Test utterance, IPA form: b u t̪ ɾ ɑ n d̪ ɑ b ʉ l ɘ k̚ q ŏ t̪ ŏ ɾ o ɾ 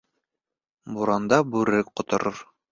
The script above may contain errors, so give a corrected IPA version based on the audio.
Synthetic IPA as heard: b u ɾ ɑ n d̪ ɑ b ʉ ɾ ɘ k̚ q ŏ t̪ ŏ ɾ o ɾ